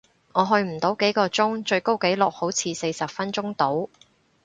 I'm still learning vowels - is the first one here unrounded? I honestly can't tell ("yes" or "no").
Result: no